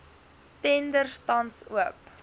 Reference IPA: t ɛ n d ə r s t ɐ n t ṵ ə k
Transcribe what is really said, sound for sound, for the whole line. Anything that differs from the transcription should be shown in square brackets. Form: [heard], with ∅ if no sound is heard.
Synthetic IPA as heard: t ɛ n d ə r s t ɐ n [s] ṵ ə [p]